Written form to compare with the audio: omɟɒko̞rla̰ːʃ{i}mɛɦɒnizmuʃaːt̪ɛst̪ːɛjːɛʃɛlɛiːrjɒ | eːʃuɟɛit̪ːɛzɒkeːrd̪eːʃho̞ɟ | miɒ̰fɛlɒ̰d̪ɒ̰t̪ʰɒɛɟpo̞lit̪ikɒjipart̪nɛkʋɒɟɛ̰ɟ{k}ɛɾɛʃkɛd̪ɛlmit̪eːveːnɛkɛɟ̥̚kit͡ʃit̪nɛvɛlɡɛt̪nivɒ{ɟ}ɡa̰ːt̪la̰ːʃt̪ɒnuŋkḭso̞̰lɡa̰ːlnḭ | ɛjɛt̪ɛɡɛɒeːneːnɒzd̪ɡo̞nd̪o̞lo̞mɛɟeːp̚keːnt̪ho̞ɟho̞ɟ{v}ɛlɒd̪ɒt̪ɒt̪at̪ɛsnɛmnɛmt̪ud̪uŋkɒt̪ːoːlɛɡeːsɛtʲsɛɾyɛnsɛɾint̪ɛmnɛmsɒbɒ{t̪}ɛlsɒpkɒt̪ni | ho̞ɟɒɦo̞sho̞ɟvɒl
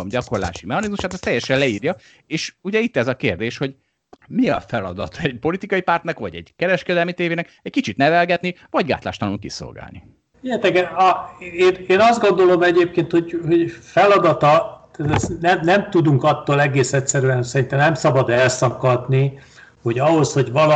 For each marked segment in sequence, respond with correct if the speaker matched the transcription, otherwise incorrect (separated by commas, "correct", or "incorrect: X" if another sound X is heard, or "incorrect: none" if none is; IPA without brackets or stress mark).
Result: correct, correct, correct, incorrect: f, incorrect: d̪